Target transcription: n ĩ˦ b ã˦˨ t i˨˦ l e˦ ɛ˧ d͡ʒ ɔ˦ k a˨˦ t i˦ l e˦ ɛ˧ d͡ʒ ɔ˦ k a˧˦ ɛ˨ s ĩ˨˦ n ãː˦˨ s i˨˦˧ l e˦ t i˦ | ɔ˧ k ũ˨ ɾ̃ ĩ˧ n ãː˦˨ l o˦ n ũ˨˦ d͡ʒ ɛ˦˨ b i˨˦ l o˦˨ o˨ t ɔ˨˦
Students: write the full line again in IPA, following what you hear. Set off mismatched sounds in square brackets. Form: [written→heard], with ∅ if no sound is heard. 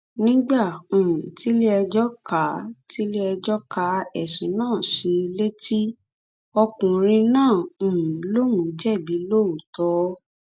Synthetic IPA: n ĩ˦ [b→ɡ͡b] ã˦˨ t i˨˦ l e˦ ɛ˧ d͡ʒ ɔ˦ k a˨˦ t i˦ l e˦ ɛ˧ d͡ʒ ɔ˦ k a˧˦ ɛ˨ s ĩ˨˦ n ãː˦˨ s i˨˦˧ l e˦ t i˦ | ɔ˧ k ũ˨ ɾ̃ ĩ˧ n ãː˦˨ l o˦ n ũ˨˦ d͡ʒ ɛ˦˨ b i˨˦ l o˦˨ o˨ t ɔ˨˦